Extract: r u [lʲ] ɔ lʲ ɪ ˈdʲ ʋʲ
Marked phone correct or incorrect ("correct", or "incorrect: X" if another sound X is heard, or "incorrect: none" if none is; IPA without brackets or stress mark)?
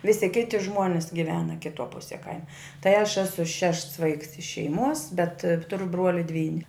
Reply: incorrect: none